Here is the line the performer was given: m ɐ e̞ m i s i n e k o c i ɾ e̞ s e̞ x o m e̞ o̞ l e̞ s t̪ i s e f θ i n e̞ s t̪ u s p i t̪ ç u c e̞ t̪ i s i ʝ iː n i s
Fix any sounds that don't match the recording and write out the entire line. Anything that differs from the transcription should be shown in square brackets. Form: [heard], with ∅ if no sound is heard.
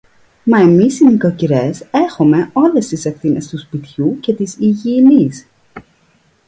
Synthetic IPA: m ɐ e̞ m i s i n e k o c i ɾ e̞ s e̞ x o m e̞ o̞ l e̞ s t̪ i s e f θ i n e̞ s t̪ u s p i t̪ ç u c e̞ t̪ i s i ʝ iː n i s